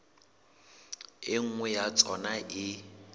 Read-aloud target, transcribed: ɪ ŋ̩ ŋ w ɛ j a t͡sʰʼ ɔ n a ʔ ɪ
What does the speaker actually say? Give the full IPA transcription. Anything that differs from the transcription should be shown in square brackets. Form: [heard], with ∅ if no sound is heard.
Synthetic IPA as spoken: ɪ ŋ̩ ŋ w ɛ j a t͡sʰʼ ɔ n a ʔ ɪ